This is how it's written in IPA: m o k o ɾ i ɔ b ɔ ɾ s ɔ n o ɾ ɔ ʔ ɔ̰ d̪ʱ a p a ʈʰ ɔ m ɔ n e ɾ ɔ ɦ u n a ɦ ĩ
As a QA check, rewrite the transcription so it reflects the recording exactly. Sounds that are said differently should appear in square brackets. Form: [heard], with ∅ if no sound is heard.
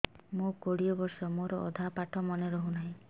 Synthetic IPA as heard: m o k o [ɽ] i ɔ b ɔ ɾ s ɔ [m] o ɾ ɔ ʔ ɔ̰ d̪ʱ a p a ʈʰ ɔ m ɔ n e ɾ ɔ ɦ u n a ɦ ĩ